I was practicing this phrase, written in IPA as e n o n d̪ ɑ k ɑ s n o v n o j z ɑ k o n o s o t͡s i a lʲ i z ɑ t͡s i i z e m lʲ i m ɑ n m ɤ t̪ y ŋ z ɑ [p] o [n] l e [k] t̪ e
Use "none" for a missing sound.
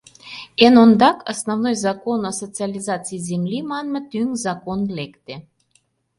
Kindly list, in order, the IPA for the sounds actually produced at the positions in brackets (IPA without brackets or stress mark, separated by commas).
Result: k, n, k